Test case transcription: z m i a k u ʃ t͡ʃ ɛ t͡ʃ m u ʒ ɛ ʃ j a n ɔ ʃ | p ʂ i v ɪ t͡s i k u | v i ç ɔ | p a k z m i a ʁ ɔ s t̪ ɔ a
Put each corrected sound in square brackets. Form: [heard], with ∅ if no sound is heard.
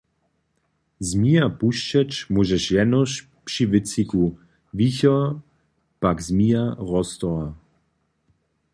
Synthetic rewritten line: z m i a [p] u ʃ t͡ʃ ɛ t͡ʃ m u ʒ ɛ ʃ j [ɛ] n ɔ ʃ | p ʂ i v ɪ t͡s i k u | v i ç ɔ | p a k z m i a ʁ ɔ s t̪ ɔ a